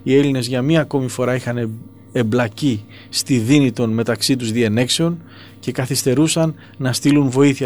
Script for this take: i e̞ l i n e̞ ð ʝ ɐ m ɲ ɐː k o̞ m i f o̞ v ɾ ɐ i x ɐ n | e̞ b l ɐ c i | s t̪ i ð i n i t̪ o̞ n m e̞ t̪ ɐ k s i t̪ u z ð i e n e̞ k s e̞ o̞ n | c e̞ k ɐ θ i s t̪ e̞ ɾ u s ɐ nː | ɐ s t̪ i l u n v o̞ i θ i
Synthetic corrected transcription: i e̞ l i n e̞ z ʝ ɐ m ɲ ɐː k o̞ m i f o̞ ɾ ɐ i x ɐ n | e̞ b l ɐ c i | s t̪ i ð i n i t̪ o̞ n m e̞ t̪ ɐ k s i t̪ u z ð i e n e̞ k s e̞ o̞ n | c e̞ k ɐ θ i s t̪ e̞ ɾ u s ɐ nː | ɐ s t̪ i l u n v o̞ i θ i